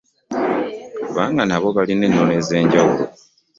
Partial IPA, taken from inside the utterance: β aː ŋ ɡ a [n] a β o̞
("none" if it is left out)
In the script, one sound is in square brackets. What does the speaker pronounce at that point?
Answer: n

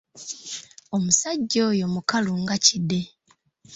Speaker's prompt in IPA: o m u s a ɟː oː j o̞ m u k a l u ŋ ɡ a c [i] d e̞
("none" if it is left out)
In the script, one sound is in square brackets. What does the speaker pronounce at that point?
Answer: i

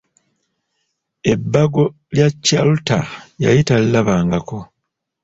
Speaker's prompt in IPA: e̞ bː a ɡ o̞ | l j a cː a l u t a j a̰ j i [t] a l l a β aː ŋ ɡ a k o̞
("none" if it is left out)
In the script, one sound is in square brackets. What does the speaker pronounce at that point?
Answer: t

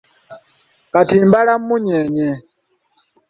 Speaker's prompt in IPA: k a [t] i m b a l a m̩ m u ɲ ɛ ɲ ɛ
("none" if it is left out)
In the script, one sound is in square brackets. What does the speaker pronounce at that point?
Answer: t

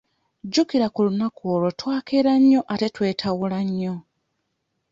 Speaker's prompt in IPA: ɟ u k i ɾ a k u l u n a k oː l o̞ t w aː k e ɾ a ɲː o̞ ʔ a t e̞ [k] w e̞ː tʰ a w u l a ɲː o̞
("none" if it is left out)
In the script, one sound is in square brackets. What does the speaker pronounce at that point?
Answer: t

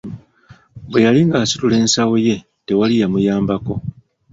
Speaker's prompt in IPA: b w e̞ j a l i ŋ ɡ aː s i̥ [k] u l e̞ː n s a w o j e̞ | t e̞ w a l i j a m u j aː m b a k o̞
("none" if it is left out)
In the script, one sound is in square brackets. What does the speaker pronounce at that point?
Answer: t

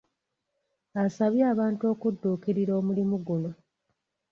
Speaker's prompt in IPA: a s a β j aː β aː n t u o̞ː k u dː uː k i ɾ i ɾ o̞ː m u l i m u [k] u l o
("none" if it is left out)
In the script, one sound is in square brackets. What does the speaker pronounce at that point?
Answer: ɡ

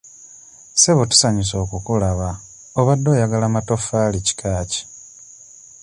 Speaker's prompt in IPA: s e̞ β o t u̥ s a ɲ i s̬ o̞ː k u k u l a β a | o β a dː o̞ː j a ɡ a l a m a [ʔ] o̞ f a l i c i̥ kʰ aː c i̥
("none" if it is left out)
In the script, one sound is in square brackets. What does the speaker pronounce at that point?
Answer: t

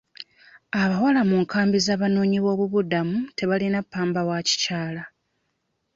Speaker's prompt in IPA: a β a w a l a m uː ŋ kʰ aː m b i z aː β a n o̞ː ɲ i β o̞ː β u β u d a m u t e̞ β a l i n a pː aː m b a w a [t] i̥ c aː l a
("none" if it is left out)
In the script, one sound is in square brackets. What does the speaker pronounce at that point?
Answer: c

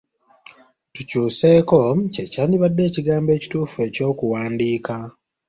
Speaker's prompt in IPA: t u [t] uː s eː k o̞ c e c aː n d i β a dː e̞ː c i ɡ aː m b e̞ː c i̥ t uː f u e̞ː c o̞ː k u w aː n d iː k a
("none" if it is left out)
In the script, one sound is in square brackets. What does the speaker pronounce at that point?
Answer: c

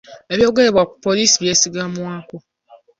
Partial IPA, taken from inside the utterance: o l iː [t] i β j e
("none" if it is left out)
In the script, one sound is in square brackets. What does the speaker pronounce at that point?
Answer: s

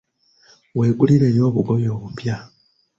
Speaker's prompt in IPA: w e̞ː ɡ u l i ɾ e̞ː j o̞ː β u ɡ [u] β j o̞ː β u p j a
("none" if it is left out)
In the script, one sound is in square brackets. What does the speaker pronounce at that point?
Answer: o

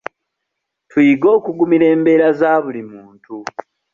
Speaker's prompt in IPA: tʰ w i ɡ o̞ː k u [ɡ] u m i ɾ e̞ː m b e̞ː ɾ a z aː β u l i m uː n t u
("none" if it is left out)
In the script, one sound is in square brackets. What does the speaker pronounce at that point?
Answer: ɡ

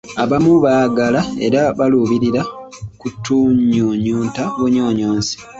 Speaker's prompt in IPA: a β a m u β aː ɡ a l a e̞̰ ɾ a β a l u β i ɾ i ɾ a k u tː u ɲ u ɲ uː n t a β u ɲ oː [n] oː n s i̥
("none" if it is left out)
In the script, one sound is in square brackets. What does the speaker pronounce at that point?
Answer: ɲ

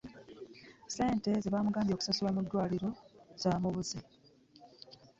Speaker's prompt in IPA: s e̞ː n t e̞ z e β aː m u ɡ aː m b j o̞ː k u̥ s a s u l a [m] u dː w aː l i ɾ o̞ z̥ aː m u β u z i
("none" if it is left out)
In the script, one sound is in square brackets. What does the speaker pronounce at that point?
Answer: m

